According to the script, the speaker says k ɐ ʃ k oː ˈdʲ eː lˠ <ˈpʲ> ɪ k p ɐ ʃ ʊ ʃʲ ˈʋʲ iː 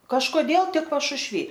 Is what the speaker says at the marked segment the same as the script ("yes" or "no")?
no